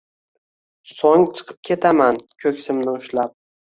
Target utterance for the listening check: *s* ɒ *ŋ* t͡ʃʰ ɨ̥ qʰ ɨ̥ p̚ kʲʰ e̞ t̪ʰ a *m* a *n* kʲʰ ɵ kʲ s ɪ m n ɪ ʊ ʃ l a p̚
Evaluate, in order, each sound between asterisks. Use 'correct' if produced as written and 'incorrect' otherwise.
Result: correct, correct, correct, correct

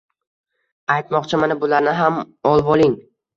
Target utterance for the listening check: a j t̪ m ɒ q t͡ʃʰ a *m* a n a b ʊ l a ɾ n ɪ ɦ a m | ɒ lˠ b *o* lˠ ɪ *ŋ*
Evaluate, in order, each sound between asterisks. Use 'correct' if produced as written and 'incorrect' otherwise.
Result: correct, incorrect: ɒ, correct

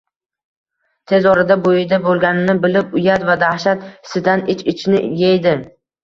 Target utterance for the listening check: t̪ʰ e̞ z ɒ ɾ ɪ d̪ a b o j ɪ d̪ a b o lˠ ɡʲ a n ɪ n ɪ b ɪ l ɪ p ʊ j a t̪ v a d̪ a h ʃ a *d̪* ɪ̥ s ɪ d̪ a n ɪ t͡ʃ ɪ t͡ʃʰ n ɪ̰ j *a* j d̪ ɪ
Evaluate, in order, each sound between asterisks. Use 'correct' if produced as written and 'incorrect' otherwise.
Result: incorrect: t̪, incorrect: e

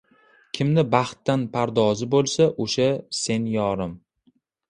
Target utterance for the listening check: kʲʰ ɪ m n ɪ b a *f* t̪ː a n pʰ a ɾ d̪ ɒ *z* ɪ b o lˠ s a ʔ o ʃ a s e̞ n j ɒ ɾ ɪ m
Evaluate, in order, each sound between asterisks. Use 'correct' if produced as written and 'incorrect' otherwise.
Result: incorrect: χ, correct

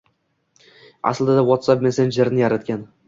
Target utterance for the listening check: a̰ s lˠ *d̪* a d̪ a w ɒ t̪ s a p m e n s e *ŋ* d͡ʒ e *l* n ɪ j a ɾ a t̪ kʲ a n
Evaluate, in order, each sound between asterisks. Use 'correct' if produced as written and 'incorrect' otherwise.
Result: correct, incorrect: n, incorrect: ɾ

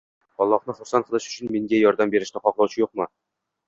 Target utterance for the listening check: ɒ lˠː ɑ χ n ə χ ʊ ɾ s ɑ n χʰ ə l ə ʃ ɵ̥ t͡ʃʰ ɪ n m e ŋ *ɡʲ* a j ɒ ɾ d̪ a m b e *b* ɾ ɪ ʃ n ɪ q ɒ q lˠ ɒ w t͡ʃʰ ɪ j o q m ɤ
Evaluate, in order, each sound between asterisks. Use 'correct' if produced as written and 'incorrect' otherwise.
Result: correct, incorrect: none

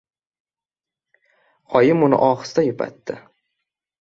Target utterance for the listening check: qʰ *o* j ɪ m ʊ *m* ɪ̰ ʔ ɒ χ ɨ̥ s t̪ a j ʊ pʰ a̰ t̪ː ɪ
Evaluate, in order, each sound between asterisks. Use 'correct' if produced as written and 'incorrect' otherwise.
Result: incorrect: ɒ, incorrect: n

